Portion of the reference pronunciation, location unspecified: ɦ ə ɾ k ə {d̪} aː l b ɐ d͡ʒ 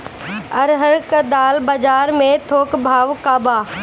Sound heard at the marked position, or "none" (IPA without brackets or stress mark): d̪